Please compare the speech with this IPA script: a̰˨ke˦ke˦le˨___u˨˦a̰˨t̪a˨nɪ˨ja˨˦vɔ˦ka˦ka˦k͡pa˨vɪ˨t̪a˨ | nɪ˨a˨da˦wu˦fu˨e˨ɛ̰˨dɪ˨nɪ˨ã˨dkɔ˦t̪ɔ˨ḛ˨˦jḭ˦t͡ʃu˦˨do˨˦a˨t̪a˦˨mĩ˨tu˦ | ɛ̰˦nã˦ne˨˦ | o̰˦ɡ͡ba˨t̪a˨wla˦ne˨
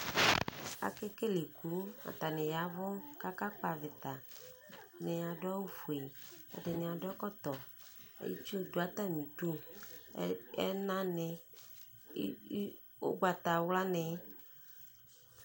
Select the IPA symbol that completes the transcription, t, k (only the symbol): k